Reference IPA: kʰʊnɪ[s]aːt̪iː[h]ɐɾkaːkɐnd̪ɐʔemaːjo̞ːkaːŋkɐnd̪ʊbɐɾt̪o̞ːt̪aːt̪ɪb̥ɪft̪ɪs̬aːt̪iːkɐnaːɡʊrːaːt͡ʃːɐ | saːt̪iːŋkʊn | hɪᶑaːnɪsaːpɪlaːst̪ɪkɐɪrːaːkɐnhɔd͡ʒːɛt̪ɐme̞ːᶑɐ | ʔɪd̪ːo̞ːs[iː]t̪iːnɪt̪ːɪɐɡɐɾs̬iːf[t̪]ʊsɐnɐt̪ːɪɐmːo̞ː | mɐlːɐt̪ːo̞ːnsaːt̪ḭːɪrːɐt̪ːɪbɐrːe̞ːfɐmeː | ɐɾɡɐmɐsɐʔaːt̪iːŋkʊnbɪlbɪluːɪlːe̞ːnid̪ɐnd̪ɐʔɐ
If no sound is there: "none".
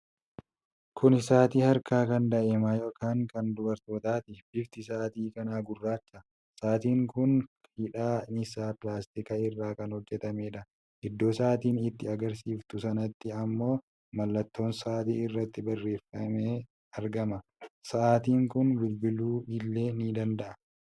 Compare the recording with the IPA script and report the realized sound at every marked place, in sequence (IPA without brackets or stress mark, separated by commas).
s, h, aː, t̪